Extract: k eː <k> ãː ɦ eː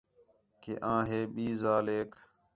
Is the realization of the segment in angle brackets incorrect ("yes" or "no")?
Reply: yes